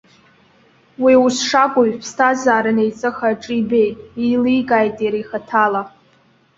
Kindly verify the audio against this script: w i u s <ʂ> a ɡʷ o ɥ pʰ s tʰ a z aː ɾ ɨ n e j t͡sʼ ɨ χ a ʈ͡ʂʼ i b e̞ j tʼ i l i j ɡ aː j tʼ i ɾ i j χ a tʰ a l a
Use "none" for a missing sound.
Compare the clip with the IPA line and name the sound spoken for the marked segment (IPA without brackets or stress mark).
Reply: ʂ